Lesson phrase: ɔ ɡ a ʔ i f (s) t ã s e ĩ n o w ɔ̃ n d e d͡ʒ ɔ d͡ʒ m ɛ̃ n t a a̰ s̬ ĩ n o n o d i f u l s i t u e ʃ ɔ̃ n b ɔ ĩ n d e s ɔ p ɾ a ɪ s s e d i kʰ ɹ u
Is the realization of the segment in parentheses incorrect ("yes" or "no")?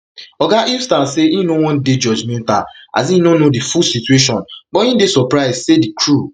no